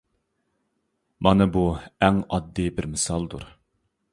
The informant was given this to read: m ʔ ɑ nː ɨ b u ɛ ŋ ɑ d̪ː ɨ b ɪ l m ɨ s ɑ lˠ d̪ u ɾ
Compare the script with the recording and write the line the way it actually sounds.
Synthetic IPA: m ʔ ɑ n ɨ b u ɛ ŋ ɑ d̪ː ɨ b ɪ ɾ m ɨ s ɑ lˠ d̪ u ɾ